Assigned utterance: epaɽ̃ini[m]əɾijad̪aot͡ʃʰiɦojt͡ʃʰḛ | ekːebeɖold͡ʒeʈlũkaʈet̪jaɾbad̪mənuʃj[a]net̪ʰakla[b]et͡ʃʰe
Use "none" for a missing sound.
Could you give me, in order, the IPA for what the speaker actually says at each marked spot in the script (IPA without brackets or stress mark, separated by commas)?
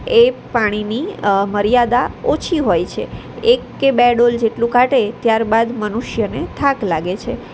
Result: m, ə, ɡ